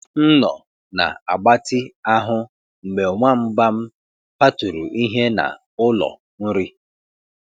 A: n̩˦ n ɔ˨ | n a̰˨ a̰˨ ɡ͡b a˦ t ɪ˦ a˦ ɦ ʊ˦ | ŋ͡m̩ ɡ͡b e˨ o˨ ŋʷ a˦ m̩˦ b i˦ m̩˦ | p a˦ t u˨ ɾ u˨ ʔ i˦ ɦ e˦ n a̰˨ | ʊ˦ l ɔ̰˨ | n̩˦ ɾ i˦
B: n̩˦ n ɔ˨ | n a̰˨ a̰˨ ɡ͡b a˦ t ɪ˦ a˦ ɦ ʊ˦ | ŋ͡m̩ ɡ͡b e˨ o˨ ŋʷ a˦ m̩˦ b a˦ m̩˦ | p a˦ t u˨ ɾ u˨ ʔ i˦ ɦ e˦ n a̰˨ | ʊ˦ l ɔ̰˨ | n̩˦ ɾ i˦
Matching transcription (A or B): B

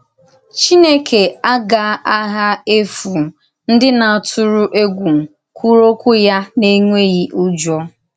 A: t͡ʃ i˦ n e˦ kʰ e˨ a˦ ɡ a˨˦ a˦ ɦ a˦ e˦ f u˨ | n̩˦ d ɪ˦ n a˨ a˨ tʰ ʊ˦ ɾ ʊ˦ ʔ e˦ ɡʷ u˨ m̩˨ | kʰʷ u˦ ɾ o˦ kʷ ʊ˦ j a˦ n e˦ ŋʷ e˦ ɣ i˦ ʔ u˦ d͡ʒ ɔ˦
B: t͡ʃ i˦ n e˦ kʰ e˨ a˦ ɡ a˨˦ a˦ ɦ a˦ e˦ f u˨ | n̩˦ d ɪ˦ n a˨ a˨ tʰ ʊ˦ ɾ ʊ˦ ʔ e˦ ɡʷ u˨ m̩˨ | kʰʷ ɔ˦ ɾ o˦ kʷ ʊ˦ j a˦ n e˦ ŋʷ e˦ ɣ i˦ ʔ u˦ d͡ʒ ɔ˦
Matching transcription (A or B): A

